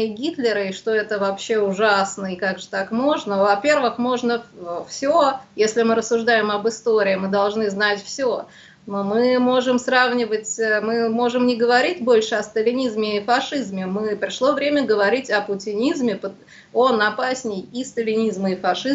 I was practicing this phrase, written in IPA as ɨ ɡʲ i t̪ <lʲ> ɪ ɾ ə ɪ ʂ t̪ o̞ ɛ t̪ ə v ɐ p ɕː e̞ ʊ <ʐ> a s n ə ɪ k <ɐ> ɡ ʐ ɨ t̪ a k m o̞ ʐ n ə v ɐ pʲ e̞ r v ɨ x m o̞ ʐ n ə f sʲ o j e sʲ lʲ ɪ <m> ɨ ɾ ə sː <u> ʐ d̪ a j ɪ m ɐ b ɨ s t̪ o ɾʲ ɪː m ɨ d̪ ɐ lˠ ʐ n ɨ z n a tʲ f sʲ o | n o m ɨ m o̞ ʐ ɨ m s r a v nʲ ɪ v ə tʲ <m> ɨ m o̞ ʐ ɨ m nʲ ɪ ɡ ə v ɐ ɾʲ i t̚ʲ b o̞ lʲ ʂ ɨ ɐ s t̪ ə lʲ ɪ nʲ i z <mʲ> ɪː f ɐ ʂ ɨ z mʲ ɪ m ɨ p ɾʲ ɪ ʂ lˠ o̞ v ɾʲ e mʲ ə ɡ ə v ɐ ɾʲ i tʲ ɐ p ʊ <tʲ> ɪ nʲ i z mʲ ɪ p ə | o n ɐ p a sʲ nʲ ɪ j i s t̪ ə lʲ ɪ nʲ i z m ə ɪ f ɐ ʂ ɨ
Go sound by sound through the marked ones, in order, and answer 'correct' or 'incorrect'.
correct, correct, incorrect: a, correct, incorrect: ʊ, correct, correct, correct

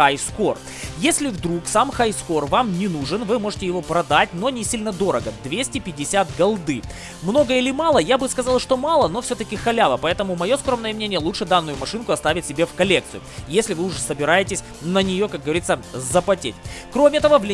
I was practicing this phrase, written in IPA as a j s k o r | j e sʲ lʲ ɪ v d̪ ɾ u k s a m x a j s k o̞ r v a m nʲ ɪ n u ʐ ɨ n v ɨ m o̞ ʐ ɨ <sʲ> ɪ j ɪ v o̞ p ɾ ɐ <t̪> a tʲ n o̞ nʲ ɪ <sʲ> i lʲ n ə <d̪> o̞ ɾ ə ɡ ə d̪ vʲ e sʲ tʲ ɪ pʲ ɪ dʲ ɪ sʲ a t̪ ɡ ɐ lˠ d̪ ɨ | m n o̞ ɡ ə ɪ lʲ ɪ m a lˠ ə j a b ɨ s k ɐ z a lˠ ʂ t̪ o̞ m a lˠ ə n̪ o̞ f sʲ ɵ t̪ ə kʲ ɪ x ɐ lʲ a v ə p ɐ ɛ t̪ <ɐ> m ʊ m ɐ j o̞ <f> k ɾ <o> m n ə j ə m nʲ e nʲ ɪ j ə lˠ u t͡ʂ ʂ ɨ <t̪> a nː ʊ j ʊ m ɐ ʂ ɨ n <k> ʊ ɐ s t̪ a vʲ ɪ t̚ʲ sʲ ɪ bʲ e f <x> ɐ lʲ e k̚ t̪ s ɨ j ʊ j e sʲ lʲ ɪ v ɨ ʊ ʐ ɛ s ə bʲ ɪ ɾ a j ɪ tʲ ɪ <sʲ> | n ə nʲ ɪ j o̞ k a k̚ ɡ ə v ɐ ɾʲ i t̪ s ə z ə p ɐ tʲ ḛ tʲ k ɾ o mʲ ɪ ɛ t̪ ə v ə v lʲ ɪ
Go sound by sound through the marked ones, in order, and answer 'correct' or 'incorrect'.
incorrect: tʲ, incorrect: d̪, correct, correct, incorrect: ə, incorrect: s, correct, incorrect: d̪, correct, incorrect: k, correct

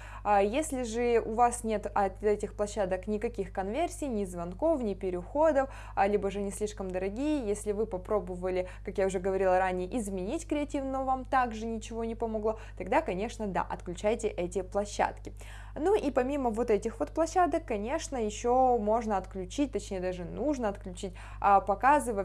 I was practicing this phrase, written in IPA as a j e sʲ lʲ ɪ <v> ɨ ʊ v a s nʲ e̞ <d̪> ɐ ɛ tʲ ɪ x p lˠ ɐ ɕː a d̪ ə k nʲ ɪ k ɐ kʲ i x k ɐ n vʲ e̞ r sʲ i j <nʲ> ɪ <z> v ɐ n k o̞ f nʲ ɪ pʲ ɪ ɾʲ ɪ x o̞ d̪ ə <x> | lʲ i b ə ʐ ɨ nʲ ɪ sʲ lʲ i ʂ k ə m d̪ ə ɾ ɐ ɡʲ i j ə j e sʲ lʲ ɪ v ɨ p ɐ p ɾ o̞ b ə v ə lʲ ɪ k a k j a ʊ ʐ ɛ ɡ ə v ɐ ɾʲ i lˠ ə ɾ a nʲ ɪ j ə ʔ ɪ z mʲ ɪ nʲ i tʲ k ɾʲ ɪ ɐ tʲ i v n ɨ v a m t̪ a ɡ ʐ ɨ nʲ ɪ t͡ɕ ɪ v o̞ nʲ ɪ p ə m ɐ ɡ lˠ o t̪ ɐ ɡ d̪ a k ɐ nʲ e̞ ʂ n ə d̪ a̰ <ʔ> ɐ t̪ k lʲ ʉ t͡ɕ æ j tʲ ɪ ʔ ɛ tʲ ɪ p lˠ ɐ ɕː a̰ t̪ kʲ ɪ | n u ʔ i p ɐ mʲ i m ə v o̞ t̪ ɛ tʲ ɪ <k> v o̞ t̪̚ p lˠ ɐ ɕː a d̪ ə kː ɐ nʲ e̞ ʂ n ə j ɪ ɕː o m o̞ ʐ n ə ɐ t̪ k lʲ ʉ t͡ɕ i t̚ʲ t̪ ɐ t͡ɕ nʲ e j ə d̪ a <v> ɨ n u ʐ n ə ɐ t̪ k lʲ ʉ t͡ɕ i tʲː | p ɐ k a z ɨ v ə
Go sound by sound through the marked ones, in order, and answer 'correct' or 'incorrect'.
incorrect: ʐ, incorrect: t̪, correct, correct, incorrect: f, correct, incorrect: x, incorrect: ʐ

